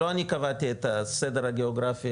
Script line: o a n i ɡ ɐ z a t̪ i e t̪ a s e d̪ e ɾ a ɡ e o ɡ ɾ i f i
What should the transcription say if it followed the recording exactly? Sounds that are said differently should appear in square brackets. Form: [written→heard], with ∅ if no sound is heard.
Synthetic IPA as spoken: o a n i [ɡ→k] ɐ [z→v] a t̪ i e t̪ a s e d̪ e ɾ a ɡ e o ɡ ɾ [i→a] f i